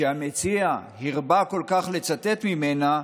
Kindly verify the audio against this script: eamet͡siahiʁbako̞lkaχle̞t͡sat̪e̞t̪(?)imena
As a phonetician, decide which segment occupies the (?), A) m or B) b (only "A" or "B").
A